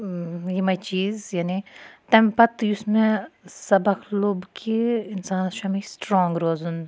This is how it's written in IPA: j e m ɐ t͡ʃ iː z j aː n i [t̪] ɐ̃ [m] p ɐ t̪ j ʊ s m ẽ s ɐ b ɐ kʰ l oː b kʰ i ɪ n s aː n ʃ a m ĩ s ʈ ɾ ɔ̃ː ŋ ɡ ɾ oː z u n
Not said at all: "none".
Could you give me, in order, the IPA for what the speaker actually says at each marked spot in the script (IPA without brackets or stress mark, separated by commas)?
t̪, m